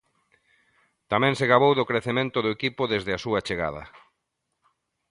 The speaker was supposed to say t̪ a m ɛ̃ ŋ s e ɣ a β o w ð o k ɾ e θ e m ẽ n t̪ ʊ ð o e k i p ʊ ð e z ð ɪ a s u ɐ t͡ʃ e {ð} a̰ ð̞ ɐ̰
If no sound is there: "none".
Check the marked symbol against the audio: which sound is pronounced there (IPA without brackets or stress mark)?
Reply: ɣ